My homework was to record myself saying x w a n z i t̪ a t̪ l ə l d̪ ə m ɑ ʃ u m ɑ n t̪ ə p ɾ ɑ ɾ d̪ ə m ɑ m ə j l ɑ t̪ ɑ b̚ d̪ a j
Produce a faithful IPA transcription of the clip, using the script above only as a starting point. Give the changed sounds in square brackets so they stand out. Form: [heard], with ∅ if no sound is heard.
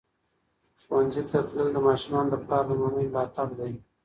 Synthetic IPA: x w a n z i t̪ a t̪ l ə l d̪ ə m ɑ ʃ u m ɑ n [d̪] ə p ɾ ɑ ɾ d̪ ə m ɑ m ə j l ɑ t̪ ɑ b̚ d̪ a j